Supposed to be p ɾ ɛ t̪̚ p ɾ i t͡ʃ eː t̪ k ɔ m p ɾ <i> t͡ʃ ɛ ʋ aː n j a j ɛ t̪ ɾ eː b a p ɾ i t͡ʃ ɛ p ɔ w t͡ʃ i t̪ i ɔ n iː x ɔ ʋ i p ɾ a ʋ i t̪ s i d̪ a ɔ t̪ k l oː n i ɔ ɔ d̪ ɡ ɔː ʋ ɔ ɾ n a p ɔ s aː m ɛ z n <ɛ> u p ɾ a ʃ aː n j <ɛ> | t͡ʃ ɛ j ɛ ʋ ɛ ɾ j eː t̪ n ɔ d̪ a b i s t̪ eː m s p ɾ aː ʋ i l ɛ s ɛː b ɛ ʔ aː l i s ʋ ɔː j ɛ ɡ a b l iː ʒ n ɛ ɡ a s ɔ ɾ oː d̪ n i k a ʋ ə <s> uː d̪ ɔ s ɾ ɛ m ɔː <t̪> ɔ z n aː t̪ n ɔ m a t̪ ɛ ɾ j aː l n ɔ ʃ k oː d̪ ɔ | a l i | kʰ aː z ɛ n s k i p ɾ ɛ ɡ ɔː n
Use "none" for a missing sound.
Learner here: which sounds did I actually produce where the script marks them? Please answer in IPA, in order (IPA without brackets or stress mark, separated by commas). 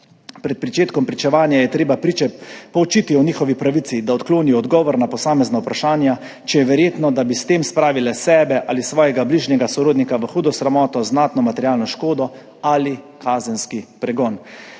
i, a, a, x, t̪